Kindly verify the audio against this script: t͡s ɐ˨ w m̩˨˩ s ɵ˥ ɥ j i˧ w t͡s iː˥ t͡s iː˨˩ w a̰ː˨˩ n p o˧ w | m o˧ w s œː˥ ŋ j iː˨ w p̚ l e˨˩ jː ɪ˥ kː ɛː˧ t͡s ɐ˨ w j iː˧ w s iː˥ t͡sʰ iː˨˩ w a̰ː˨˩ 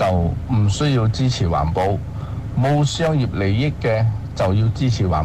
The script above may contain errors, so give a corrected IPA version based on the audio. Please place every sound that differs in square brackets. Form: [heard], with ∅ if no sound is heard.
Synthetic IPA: t͡s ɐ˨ w m̩˨˩ s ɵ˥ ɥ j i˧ w t͡s iː˥ [t͡sʰ] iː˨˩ w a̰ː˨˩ n p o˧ w | m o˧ w s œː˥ ŋ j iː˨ [∅] p̚ l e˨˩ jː ɪ˥ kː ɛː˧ t͡s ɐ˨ w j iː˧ w [t͡s] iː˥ t͡sʰ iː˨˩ w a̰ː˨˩